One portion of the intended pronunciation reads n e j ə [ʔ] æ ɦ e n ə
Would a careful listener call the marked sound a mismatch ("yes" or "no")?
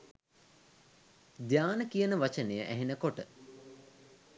no